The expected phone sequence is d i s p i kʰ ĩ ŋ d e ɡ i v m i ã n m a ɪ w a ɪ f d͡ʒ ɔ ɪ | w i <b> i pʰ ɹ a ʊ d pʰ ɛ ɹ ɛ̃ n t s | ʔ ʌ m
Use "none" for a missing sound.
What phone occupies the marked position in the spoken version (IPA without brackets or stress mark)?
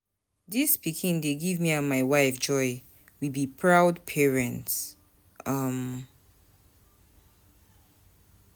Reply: b